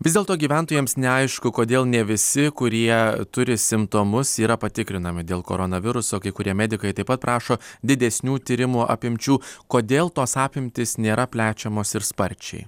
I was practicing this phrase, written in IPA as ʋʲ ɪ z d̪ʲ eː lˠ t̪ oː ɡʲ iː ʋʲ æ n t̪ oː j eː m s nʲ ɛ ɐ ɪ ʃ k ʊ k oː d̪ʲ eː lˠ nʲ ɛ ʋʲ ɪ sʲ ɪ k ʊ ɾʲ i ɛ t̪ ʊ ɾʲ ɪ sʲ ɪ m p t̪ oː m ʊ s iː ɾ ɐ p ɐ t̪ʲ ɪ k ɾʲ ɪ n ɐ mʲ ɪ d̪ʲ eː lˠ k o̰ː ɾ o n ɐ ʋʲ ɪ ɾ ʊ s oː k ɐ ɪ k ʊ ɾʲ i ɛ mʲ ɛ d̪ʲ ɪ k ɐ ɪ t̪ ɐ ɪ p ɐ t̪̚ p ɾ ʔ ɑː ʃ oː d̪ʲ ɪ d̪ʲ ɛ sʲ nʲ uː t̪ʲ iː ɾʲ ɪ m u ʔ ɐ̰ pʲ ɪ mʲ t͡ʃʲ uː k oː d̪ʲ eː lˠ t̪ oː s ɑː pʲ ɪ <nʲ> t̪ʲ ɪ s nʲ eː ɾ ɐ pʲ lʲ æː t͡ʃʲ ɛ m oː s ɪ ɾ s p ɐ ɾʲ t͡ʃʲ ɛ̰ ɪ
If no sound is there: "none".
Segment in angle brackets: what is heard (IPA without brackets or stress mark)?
mʲ